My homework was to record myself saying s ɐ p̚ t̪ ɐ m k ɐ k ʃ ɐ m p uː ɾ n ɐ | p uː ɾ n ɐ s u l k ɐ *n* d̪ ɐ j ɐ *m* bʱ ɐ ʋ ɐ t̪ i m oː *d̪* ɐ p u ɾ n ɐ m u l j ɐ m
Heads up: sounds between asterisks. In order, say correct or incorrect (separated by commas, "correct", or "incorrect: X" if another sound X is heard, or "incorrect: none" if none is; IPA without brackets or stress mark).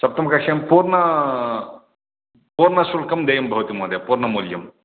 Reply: incorrect: m, correct, correct